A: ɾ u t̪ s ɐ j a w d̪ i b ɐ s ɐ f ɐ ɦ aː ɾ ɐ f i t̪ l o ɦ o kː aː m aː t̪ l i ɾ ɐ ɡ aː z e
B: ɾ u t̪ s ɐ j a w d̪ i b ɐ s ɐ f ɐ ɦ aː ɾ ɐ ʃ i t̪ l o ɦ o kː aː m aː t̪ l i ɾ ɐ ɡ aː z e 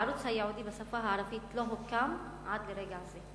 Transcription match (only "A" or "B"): A